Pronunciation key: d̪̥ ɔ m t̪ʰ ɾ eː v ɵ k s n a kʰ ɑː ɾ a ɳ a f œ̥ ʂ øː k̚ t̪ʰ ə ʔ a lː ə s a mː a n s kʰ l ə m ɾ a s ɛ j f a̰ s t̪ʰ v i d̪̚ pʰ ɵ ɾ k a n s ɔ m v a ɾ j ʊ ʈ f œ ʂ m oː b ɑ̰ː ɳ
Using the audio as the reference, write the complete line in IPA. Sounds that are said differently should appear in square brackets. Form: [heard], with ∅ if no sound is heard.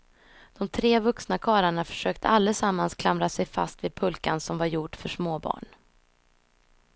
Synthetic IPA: d̪̥ ɔ m t̪ʰ ɾ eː v ɵ k s n a kʰ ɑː ɾ a ɳ a f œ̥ ʂ øː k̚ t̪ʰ ə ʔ a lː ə s a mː a n s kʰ l [a] m ɾ a s ɛ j f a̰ s [t̪] v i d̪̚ pʰ ɵ [l] k a n s ɔ m v a ɾ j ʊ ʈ f œ ʂ m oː b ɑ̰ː ɳ

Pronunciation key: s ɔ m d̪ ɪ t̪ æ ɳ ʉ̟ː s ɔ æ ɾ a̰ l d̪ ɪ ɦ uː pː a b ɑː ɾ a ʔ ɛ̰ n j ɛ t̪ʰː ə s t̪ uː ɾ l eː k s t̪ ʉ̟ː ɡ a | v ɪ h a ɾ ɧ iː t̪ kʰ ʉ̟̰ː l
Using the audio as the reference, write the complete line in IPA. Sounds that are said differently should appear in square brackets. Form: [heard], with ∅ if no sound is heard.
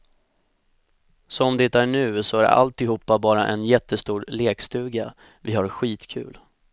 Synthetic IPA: s ɔ m d̪ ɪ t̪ æ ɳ ʉ̟ː s ɔ æ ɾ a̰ l [t̪] ɪ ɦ uː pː a b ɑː ɾ a ʔ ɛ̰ n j ɛ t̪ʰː ə s t̪ uː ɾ l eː k s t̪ ʉ̟ː ɡ a | v ɪ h a ɾ ɧ iː t̪ kʰ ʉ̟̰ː l

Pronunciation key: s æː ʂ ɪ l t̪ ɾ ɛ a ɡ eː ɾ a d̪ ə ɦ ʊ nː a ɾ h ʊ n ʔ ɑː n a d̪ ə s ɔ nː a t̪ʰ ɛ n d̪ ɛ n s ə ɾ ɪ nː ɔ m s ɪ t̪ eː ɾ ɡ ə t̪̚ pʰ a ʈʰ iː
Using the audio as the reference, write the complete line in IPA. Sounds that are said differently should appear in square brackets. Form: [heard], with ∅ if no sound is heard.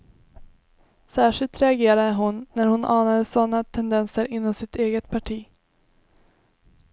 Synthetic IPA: s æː ʂ ɪ l t̪ ɾ ɛ a ɡ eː ɾ a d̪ ə ɦ ʊ nː [æ] ɾ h ʊ n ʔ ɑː n a d̪ ə s ɔ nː a t̪ʰ ɛ n d̪ ɛ n s ə ɾ ɪ nː ɔ m s ɪ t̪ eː [∅] ɡ ə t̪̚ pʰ a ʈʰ iː

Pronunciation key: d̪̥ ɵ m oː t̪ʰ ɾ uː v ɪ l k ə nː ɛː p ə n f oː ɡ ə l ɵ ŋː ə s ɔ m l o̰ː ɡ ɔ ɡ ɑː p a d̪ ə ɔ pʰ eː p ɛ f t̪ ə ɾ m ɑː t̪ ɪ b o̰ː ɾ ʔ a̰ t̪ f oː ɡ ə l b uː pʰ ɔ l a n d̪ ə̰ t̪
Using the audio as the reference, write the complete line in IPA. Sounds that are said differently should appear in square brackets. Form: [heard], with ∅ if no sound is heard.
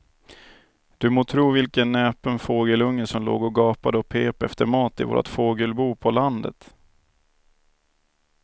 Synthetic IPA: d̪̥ ɵ m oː t̪ʰ ɾ uː v ɪ l k ə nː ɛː p ə n f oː ɡ ə l ɵ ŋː ə s ɔ m l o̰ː ɡ ɔ ɡ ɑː p a d̪ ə ɔ pʰ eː p ɛ f t̪ ə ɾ m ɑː t̪ ɪ [v] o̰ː ɾ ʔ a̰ t̪ f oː ɡ ə l b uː pʰ ɔ l a n d̪ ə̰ t̪

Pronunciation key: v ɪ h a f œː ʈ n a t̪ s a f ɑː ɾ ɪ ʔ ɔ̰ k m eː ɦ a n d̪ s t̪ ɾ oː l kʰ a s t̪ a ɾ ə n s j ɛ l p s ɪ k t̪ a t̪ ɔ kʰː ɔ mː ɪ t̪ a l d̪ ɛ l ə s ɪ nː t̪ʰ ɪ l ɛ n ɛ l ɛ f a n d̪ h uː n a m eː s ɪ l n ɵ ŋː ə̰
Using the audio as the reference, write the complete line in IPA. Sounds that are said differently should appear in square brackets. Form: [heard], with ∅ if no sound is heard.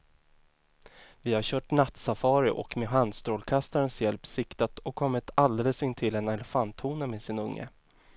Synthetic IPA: v ɪ h a [ɕ] œː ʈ n a t̪ s a f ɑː ɾ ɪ ʔ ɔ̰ k m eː ɦ a n d̪ s t̪ ɾ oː l kʰ a s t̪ a ɾ ə n s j ɛ l p s ɪ k t̪ a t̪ ɔ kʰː ɔ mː ɪ t̪ a l d̪ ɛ l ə s ɪ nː t̪ʰ ɪ l ɛ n ɛ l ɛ f a n [t̪] h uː n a m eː s ɪ [∅] n ɵ ŋː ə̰

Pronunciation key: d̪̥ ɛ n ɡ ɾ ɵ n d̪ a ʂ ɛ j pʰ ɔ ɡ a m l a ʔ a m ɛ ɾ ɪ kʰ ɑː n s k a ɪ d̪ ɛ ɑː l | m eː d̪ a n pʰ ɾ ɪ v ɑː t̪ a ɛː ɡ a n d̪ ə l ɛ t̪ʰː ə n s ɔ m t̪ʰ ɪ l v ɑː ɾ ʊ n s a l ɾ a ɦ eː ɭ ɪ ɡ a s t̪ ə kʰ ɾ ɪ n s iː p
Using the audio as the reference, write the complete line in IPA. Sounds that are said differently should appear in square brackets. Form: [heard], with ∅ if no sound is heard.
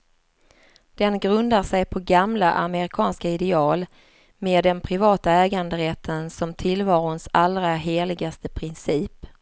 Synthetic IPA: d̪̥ ɛ n ɡ ɾ ɵ n d̪ a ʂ ɛ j pʰ ɔ ɡ a m l a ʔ a m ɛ ɾ ɪ kʰ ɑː n s k a ɪ d̪ ɛ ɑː l | m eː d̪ [ɛ] n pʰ ɾ ɪ v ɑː t̪ a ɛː ɡ a n d̪ ə [ɾ] ɛ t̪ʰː ə n s ɔ m t̪ʰ ɪ l v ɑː ɾ ʊ n s a l ɾ a ɦ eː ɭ ɪ ɡ a s t̪ ə [pʰ] ɾ ɪ n s iː p

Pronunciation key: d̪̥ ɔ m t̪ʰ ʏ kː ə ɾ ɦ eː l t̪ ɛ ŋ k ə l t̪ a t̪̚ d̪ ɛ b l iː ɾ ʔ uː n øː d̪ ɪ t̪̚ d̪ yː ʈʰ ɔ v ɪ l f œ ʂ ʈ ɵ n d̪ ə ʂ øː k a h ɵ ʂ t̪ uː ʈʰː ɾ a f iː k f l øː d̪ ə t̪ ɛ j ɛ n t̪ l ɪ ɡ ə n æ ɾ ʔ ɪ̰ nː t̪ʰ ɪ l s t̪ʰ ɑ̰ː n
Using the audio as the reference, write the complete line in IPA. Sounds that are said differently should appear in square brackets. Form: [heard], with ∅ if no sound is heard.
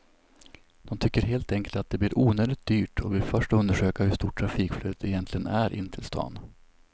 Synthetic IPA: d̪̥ ɔ m t̪ʰ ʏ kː ə ɾ ɦ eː l t̪ ɛ ŋ k ə l t̪ a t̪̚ d̪ ɛ b l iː ɾ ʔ uː n øː d̪ ɪ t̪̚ d̪ yː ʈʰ ɔ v ɪ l f œ ʂ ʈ ɵ n d̪ ə ʂ øː k a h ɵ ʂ t̪ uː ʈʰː ɾ a f iː k f l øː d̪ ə t̪ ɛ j ɛ n t̪ l ɪ ɡ ə n æ ɾ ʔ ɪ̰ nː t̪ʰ ɪ l s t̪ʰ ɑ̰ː n

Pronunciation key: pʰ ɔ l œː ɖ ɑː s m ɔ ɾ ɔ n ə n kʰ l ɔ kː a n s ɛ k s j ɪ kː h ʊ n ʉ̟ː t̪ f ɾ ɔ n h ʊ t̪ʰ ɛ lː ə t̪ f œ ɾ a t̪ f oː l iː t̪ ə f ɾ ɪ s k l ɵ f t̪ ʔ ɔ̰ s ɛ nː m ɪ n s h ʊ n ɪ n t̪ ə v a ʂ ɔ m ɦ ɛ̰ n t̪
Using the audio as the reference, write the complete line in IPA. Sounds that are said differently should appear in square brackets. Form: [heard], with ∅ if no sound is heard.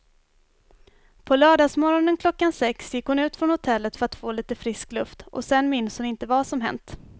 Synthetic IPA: pʰ ɔ l œː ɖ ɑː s m ɔ ɾ ɔ n ə n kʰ l ɔ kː a n s ɛ k s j ɪ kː h ʊ n ʉ̟ː t̪ f ɾ ɔ n h ʊ t̪ʰ ɛ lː ə t̪ f œ ɾ a t̪ f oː l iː t̪ ə f ɾ ɪ s k l ɵ f t̪ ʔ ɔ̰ s ɛ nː m ɪ n s h ʊ n ɪ n t̪ ə v a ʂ ɔ m ɦ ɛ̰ n t̪

